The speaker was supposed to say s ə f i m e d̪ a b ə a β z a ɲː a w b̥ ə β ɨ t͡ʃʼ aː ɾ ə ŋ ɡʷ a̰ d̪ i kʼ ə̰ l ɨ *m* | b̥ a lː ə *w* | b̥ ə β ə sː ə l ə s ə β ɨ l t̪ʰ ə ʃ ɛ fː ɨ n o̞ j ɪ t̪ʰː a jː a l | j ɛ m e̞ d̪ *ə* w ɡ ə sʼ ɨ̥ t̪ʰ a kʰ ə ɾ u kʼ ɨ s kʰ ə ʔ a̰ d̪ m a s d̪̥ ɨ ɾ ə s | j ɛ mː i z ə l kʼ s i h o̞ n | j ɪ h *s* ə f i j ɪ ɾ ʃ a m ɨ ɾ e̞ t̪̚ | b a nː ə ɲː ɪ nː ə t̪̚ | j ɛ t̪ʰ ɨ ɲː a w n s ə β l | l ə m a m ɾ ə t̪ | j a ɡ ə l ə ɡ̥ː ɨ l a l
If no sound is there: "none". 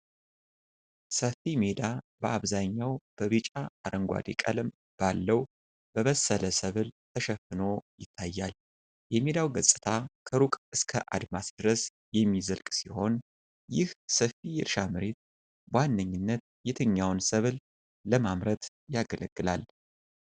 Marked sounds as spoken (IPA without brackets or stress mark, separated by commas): m, w, a, s